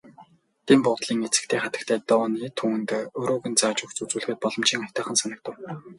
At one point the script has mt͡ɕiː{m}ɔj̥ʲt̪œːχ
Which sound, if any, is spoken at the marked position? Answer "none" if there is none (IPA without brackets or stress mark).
ŋ